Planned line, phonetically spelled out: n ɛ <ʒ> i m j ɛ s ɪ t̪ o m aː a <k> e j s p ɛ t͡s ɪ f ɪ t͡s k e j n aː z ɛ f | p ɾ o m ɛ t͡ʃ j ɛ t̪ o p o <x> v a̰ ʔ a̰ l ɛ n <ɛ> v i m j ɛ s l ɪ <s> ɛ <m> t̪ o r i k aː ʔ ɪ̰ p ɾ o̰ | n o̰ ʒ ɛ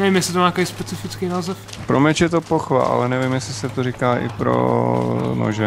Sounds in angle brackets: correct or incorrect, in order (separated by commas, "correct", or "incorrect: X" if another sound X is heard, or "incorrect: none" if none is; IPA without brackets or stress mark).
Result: incorrect: v, correct, correct, correct, correct, incorrect: none